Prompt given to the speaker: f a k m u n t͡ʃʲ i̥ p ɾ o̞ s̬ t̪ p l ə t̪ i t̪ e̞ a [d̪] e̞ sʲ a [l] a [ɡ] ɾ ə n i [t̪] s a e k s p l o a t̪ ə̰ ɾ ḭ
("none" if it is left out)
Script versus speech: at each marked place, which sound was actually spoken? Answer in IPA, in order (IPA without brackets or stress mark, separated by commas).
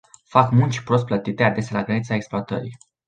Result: d̪, l, ɡ, t̪